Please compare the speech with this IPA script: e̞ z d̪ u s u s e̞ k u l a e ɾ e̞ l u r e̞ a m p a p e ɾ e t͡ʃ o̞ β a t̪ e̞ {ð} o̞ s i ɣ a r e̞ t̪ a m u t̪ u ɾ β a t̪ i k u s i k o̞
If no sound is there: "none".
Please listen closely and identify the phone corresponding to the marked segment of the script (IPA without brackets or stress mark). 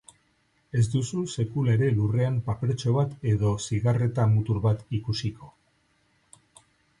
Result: ð